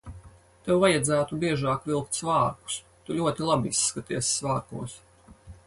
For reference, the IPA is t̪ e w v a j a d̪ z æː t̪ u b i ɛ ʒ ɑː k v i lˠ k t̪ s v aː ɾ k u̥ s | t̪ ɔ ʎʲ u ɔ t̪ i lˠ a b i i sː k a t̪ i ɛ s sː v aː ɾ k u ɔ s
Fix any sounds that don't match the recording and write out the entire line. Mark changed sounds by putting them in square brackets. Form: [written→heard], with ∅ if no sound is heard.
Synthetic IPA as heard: t̪ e w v a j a d̪ z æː t̪ u b i ɛ ʒ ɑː k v i lˠ k t̪ s v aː ɾ k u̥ s | t̪ [ɔ→u] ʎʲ u ɔ t̪ i lˠ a b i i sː k a t̪ i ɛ s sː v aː ɾ k u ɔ s